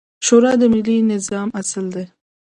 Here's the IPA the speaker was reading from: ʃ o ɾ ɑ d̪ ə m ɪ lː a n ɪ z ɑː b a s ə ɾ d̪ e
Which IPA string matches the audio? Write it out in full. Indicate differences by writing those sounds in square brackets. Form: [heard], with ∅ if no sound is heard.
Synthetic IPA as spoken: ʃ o ɾ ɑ d̪ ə m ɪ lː [i] n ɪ z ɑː [m] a s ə [l] d̪ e